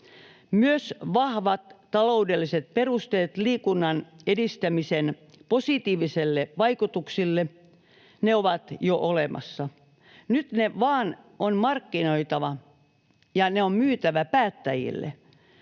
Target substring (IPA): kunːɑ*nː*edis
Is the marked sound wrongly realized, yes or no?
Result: yes